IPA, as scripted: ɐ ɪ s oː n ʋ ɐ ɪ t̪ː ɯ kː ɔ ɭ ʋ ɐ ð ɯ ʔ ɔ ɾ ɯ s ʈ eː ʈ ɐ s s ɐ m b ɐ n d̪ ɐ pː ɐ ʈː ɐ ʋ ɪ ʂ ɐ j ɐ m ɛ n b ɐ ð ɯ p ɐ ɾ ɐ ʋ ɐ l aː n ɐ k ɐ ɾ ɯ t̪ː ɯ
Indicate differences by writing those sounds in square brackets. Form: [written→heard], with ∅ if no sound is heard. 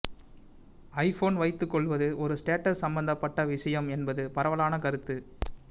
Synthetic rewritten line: ɐ ɪ [s→f] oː n ʋ ɐ ɪ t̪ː ɯ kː ɔ ɭ ʋ ɐ ð ɯ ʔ ɔ ɾ ɯ s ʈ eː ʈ ɐ s s ɐ m b ɐ n d̪ ɐ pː ɐ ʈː ɐ ʋ ɪ ʂ ɐ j ɐ m ɛ n b ɐ ð ɯ p ɐ ɾ ɐ ʋ ɐ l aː n ɐ k ɐ ɾ ɯ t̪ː ɯ